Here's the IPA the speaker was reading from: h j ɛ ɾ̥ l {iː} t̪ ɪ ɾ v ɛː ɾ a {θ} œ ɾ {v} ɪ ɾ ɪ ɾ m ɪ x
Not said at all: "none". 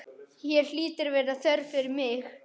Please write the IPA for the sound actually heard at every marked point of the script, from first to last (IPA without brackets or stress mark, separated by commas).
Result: iː, θ, f